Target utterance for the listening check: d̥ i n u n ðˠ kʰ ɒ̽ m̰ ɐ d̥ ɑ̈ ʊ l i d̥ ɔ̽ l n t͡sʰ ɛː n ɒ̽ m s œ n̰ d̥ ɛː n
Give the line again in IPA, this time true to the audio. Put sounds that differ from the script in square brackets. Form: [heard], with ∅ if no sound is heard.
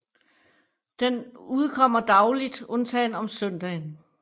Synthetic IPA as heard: d̥ [e] n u [∅] ðˠ kʰ ɒ̽ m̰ ɐ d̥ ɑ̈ ʊ l i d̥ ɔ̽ [∅] n t͡sʰ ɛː n ɒ̽ m s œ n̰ d̥ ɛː n